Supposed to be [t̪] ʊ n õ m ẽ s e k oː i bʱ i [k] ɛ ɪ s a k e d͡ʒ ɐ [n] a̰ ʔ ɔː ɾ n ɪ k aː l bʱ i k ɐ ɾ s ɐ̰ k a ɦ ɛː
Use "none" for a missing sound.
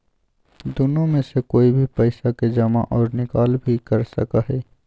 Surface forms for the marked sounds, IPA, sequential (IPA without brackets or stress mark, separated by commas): d̪, p, m